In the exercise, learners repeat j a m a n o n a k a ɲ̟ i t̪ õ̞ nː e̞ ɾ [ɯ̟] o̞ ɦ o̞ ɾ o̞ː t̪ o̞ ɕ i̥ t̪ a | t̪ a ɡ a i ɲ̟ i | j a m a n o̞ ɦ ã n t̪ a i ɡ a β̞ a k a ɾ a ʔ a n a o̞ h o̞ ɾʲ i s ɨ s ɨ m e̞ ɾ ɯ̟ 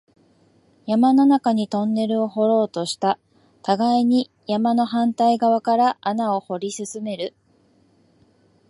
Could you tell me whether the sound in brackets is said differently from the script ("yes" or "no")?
no